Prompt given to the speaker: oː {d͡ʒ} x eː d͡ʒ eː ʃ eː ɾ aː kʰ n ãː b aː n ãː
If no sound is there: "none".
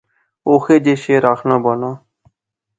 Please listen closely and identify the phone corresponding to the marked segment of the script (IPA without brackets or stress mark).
none